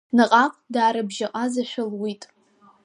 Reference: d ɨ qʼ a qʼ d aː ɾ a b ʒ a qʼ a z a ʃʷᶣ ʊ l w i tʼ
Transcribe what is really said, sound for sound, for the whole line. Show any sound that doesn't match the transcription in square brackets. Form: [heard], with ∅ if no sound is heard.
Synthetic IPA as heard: [n] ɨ qʼ a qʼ d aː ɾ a b ʒ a qʼ a z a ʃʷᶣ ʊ l w i tʼ

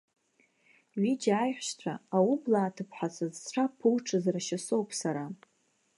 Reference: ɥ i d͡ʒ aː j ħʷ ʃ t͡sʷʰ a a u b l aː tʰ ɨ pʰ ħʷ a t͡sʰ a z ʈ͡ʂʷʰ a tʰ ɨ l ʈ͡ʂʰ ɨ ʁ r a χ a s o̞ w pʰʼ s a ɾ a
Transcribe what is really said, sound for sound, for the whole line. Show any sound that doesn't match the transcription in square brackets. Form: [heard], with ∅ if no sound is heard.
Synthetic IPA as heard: ɥ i d͡ʒ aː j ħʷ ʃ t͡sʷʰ a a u b l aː tʰ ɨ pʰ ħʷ a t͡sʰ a z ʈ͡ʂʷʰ a [pʰ] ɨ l ʈ͡ʂʰ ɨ [z] r a [ʃ] a s o̞ w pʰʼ s a ɾ a

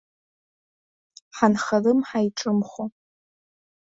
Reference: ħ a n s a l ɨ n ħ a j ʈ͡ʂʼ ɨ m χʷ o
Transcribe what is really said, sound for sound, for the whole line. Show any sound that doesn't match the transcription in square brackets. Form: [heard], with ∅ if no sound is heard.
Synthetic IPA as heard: ħ a n [χ] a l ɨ [m] ħ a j ʈ͡ʂʼ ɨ m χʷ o

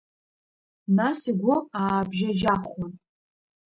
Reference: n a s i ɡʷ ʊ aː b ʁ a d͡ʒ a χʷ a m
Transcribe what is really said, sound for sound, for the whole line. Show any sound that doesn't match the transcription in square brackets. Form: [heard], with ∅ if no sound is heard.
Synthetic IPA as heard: n a s i ɡʷ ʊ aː b [ʒ] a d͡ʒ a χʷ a [n]

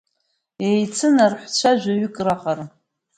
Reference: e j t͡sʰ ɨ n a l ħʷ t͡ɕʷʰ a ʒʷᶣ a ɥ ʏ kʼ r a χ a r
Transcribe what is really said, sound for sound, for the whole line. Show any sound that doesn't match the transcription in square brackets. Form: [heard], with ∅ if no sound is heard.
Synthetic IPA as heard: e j t͡sʰ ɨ n a [r] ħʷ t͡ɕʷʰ a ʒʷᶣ a ɥ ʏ kʼ r a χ a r

